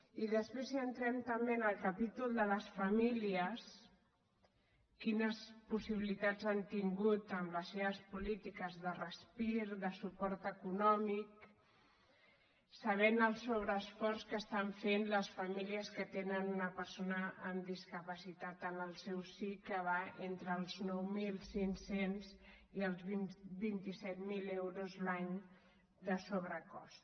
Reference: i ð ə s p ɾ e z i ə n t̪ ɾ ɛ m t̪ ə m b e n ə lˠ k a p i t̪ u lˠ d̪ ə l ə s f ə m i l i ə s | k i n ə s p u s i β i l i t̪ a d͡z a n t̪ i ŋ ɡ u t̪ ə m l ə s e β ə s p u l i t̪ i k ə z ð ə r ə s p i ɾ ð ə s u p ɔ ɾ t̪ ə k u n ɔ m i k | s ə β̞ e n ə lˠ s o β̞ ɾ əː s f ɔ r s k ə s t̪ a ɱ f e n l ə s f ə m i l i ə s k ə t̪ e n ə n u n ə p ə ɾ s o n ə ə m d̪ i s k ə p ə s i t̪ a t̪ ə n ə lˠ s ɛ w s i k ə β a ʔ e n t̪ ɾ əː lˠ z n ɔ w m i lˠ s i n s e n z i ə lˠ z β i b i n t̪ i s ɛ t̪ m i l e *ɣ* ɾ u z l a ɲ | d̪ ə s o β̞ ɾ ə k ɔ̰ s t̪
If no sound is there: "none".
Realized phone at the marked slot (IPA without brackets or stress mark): w